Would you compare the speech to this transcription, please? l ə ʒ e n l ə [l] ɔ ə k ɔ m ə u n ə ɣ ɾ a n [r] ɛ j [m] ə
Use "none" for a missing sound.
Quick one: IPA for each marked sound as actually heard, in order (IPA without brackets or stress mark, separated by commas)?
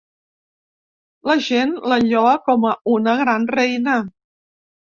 ʎ, r, n